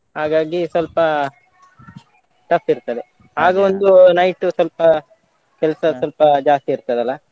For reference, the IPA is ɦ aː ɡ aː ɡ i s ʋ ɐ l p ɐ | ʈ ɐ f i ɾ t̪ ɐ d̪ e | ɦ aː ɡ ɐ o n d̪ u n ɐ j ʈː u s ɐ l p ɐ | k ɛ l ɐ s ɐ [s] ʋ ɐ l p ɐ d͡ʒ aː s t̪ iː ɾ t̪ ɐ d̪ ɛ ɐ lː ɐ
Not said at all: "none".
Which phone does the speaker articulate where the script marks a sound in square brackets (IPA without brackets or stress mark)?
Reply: s